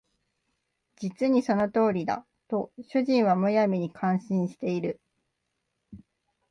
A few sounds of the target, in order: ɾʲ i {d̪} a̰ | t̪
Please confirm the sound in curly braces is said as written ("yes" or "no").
yes